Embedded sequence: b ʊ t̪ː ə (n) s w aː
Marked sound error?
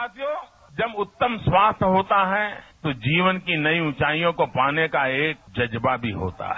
yes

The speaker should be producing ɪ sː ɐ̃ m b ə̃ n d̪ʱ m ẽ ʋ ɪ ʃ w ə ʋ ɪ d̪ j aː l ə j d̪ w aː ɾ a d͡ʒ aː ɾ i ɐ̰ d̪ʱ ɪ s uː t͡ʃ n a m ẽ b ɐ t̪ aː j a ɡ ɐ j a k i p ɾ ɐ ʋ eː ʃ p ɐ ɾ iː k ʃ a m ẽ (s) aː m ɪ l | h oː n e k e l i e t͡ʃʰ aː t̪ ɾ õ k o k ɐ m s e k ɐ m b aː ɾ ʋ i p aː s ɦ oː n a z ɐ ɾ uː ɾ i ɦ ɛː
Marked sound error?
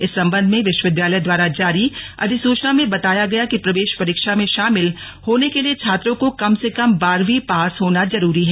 yes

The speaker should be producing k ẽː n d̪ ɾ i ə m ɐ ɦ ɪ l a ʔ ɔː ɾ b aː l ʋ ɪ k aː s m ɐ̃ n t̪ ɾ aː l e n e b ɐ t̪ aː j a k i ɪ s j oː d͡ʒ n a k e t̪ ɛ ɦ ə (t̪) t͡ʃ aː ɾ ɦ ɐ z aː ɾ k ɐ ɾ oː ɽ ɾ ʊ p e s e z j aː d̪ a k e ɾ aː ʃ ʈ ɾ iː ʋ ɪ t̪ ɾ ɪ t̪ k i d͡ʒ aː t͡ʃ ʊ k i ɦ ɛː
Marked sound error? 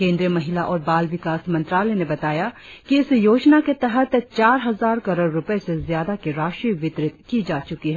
no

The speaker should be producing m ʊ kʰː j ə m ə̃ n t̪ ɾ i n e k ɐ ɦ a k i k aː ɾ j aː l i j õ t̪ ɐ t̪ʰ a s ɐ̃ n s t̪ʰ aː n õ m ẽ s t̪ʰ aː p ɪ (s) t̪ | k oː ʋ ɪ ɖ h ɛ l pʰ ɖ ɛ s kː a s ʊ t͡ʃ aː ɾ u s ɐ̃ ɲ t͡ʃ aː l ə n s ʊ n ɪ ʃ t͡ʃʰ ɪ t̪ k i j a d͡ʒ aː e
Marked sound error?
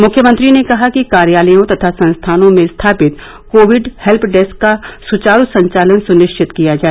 yes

